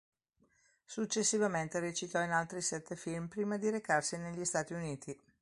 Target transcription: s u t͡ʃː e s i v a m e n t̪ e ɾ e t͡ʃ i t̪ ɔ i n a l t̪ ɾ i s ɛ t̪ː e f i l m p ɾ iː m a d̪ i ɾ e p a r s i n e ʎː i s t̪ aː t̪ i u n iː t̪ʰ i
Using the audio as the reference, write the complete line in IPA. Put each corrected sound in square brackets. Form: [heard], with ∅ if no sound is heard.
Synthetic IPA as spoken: s u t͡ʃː e [sː] i v a m e n t̪ e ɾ e t͡ʃ i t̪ ɔ i n a l t̪ ɾ i s ɛ t̪ː e f i l m p ɾ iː m a d̪ i ɾ e [k] a r s i n e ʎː i s t̪ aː t̪ i u n iː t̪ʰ i